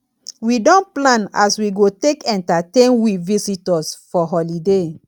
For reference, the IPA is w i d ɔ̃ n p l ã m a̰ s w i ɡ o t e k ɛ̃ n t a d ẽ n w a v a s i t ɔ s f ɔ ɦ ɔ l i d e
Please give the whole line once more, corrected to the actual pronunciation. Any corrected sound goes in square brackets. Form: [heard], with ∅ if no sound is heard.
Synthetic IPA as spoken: w i d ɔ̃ n p l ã [n] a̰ s w i ɡ o t e k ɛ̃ n t a [t] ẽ n w [i] v [i] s i t ɔ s f ɔ ɦ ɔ l i d e